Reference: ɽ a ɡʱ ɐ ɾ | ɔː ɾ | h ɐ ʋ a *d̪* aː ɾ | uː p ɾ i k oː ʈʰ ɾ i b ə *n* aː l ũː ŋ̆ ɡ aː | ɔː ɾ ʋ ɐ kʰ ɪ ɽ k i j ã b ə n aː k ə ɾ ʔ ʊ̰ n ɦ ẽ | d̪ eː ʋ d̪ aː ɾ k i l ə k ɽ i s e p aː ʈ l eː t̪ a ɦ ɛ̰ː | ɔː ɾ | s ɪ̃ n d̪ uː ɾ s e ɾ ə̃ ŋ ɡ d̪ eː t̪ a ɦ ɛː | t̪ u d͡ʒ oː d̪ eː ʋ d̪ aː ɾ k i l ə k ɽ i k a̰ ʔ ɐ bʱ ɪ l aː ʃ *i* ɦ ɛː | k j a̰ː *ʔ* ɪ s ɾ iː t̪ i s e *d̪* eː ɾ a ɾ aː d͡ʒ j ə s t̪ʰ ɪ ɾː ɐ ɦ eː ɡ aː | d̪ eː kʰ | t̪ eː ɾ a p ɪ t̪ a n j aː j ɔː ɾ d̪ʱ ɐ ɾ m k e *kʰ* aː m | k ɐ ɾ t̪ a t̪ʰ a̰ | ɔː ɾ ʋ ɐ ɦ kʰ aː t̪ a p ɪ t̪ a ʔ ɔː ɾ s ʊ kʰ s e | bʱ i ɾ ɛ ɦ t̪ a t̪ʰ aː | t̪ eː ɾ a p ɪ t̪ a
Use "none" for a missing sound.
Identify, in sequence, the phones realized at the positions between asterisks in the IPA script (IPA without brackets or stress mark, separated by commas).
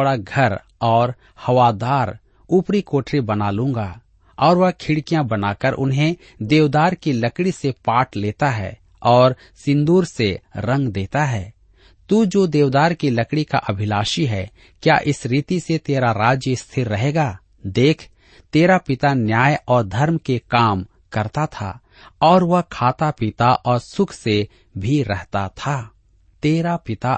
d̪, n, i, ʔ, t̪, k